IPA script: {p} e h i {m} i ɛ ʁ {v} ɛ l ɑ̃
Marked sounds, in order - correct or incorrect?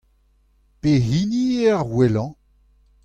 correct, incorrect, incorrect

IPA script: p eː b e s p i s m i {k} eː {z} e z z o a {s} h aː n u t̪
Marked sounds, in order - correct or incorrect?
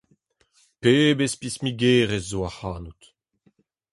incorrect, incorrect, incorrect

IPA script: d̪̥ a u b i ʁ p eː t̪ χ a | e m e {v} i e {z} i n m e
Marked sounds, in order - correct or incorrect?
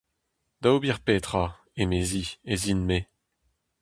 incorrect, correct

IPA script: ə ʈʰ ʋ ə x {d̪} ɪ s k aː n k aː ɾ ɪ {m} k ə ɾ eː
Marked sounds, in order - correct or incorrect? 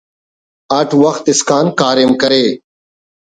incorrect, correct

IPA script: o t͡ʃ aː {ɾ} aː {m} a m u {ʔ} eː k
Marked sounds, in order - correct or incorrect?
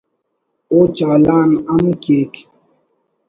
incorrect, incorrect, incorrect

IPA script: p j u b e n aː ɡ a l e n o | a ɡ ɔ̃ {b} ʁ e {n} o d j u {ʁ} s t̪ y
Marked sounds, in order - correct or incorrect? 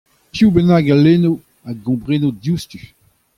correct, correct, incorrect

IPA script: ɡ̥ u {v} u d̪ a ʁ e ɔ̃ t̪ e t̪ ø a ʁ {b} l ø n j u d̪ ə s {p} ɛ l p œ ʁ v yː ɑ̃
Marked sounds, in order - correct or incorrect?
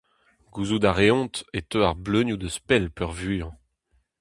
incorrect, correct, correct

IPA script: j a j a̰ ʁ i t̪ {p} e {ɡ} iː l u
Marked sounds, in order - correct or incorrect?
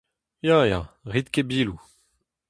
incorrect, incorrect

